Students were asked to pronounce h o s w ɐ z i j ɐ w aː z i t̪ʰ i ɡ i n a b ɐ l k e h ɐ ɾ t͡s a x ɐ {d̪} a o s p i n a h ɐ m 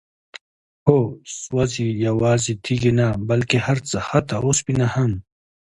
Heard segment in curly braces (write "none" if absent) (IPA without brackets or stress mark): t̪